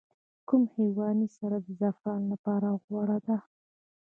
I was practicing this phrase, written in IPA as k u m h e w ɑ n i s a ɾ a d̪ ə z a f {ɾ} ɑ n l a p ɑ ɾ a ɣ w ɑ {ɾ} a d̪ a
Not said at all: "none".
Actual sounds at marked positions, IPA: ɾ, ɽ

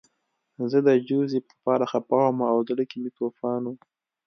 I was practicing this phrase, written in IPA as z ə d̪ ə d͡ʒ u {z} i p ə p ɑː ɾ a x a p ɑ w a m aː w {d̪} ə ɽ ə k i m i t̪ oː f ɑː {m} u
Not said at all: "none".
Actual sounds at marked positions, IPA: z, d̪, n

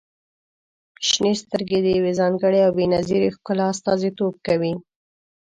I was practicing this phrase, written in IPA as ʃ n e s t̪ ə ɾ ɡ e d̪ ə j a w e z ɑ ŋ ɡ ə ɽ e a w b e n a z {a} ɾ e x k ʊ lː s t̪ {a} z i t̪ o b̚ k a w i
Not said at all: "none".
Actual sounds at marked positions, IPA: i, ɑ

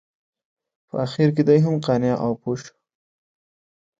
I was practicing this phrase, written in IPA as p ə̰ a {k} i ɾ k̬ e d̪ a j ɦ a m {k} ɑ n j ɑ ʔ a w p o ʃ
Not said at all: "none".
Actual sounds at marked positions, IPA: x, q

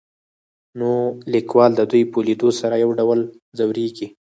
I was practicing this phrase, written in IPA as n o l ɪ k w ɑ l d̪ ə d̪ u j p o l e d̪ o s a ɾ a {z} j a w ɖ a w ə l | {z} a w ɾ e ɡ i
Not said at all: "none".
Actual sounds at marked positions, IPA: none, z

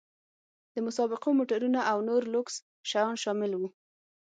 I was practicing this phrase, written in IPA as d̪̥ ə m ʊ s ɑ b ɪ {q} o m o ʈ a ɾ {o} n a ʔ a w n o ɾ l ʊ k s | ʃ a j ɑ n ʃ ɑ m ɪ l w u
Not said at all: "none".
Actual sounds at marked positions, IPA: q, u

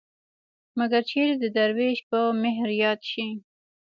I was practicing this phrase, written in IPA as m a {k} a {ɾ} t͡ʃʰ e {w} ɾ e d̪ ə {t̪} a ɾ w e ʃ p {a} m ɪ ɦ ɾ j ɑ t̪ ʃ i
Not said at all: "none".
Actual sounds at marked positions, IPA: ɡ, ɾ, none, d̪, ə

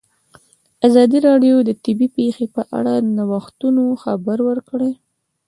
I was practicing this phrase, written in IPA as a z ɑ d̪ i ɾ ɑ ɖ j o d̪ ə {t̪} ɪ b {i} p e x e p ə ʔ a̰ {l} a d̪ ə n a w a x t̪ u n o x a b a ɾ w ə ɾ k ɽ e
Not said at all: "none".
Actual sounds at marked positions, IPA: t̪, i, ɽ

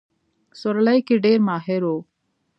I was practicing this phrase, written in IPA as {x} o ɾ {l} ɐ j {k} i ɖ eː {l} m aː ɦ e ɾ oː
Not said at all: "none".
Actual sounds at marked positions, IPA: s, l, k, ɾ

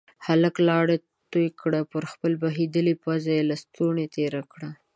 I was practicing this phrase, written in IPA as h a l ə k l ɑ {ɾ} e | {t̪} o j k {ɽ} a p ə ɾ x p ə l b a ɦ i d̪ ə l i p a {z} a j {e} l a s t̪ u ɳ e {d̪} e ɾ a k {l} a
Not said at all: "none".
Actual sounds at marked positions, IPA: ɽ, t̪, ɽ, z, e, t̪, ɽ

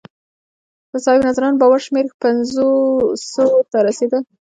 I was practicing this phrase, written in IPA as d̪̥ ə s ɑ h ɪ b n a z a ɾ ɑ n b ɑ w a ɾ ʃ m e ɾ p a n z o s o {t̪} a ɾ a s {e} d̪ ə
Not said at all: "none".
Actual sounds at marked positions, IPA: t̪, e

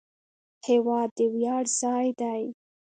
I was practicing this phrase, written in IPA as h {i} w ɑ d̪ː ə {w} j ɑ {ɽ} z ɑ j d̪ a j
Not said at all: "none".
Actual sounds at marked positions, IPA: e, w, ɽ

